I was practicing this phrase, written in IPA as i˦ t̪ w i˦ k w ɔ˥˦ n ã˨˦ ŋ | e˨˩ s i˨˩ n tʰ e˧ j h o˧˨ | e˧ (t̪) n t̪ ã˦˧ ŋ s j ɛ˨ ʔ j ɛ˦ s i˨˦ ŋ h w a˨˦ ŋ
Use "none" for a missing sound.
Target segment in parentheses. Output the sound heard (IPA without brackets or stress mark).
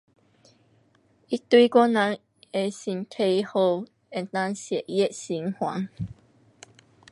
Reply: none